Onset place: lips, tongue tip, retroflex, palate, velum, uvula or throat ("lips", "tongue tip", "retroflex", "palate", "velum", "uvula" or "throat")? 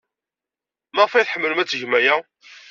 lips